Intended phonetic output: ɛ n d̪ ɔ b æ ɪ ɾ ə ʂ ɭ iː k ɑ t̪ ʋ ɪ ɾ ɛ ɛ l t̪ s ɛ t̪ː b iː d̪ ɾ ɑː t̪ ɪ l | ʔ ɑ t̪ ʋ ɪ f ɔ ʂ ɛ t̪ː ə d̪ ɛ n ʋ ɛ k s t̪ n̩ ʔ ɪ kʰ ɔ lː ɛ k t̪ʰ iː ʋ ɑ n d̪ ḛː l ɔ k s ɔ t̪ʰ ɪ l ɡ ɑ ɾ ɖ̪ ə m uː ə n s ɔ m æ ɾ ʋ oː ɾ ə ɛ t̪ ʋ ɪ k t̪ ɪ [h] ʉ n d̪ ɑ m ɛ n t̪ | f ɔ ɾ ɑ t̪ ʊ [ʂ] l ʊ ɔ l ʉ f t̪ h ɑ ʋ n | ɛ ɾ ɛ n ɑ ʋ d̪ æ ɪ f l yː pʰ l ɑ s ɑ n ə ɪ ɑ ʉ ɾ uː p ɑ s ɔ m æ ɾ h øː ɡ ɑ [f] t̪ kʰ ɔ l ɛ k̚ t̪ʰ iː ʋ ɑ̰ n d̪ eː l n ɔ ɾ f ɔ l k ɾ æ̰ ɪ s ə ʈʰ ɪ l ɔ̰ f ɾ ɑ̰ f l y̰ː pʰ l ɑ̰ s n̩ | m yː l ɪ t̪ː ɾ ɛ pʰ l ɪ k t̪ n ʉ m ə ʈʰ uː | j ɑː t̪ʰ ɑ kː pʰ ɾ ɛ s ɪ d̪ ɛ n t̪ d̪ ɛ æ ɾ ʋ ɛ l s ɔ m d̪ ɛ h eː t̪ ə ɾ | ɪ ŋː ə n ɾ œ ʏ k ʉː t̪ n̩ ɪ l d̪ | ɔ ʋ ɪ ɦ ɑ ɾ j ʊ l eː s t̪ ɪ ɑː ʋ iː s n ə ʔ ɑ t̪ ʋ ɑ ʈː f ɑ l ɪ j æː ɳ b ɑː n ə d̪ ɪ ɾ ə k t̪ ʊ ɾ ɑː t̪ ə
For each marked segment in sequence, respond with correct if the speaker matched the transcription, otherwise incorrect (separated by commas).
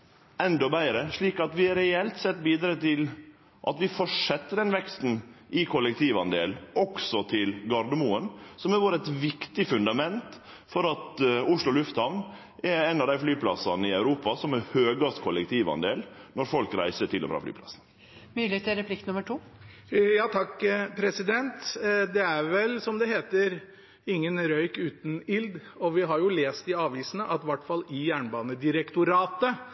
incorrect, correct, incorrect